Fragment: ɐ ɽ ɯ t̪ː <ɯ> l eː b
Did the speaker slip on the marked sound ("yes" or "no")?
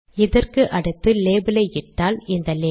no